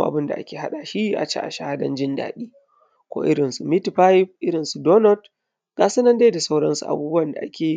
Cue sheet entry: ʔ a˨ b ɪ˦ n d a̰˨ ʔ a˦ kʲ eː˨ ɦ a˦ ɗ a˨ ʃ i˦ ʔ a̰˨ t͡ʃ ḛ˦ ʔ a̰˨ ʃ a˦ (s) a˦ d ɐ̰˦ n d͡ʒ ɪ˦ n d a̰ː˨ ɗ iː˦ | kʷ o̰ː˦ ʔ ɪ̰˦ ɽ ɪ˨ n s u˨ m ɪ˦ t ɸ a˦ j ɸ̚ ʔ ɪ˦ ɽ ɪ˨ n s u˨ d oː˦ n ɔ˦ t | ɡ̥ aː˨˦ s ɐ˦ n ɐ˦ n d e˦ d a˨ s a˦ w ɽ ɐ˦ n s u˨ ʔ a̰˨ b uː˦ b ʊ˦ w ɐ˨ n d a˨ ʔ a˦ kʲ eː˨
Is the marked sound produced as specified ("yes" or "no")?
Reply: no